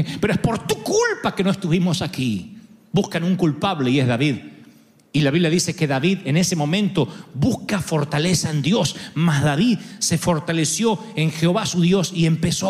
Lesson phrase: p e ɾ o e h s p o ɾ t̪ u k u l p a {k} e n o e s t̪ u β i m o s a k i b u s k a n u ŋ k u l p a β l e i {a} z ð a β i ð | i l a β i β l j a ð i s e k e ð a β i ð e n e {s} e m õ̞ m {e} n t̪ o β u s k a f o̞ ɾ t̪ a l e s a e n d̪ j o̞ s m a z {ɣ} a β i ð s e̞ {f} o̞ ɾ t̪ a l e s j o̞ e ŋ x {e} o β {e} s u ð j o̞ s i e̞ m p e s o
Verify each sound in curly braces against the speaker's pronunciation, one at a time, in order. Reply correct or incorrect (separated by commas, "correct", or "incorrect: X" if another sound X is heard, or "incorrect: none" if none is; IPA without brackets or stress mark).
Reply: correct, incorrect: e, correct, incorrect: ẽ, incorrect: ð, correct, correct, incorrect: a